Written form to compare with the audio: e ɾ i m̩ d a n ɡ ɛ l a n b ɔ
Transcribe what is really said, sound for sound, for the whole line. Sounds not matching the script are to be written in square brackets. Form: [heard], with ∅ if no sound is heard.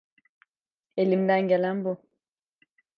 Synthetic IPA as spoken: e [l] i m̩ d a [ŋ] ɡ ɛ l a [m] b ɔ